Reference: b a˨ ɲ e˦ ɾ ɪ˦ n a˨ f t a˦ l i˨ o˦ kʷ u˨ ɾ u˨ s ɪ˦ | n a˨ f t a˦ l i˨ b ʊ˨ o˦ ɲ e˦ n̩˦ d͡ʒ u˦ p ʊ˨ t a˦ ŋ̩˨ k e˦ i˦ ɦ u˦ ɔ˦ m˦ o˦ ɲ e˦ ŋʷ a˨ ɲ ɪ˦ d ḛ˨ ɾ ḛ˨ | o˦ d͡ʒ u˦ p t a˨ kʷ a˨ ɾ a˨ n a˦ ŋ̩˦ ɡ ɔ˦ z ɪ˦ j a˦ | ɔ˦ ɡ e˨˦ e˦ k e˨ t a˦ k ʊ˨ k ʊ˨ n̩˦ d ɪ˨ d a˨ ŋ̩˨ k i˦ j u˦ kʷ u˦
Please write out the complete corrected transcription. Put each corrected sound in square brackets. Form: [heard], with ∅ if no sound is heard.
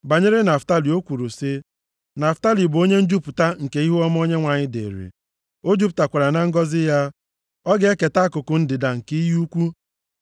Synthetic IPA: b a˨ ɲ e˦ ɾ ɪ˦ n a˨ f t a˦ l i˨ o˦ kʷ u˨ ɾ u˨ s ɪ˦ | n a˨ f t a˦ l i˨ b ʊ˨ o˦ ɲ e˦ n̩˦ d͡ʒ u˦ p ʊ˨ t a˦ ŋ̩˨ k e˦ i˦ ɦ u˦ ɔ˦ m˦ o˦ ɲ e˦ ŋʷ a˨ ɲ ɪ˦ d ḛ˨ ɾ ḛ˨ | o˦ d͡ʒ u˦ p t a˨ kʷ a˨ ɾ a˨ n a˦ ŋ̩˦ ɡ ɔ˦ z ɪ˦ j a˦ | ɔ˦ ɡ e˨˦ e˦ k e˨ t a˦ k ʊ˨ k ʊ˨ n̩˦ d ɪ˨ d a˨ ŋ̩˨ k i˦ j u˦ kʷ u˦